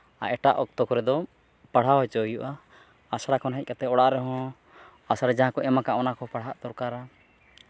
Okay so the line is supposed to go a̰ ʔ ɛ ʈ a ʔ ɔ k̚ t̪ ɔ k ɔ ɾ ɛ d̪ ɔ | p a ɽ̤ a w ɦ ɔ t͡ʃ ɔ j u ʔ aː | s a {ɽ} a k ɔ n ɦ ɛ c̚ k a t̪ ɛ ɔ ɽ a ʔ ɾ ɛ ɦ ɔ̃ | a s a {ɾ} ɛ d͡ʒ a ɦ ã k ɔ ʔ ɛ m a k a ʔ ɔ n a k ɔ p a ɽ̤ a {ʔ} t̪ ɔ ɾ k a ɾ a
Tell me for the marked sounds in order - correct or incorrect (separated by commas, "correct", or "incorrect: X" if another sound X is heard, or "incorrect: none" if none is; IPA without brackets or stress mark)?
correct, correct, correct